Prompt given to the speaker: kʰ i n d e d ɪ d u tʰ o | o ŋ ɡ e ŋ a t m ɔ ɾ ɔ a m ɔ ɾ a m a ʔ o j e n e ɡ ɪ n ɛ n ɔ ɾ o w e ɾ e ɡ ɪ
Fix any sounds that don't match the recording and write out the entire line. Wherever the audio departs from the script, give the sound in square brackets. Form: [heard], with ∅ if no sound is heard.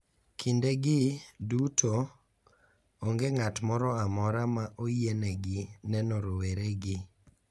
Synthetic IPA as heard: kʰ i n d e [ɡ] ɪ d u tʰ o | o ŋ ɡ e ŋ a t m ɔ ɾ ɔ a m ɔ ɾ a m a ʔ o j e n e ɡ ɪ n ɛ n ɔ ɾ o w e ɾ e ɡ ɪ